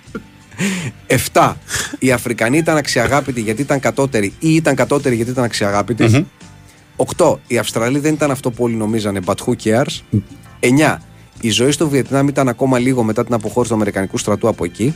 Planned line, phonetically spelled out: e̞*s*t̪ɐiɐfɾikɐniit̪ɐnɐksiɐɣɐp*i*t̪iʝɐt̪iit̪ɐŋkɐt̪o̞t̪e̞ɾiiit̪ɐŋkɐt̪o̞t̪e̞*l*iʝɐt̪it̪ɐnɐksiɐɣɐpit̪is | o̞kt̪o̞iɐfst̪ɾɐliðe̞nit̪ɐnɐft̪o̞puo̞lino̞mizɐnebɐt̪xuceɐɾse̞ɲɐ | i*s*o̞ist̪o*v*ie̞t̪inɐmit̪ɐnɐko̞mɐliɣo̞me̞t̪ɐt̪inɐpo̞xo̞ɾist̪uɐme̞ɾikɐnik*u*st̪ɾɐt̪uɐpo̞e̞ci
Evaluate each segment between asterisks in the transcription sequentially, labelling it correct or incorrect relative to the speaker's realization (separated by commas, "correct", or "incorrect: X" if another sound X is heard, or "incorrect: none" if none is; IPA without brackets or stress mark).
incorrect: f, correct, incorrect: ɾ, incorrect: z, correct, correct